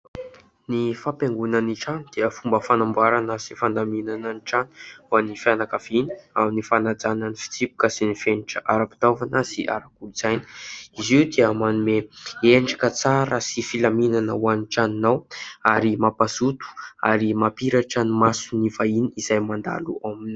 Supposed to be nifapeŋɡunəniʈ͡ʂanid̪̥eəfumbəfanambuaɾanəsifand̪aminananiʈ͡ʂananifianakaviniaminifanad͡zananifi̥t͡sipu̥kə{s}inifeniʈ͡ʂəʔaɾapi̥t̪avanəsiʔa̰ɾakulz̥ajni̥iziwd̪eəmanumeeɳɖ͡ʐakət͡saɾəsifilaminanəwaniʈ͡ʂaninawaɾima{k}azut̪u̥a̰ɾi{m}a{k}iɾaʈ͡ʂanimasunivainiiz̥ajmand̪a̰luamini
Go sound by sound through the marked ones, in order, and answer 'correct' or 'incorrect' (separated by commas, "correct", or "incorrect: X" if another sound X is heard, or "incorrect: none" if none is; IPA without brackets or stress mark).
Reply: correct, incorrect: p, correct, incorrect: p